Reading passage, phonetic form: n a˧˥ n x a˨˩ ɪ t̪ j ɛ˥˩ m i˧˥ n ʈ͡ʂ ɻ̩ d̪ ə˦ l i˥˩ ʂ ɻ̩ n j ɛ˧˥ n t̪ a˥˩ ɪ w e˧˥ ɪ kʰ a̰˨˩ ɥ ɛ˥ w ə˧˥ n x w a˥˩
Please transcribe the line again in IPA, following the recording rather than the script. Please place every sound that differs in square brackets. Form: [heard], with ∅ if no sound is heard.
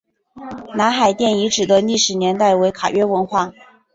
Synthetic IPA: n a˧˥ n x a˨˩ ɪ t̪ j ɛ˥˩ [n] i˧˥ [∅] ʈ͡ʂ ɻ̩ d̪ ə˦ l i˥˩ ʂ ɻ̩ n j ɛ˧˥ n t̪ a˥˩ ɪ w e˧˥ ɪ kʰ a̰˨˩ ɥ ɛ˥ w ə˧˥ n x w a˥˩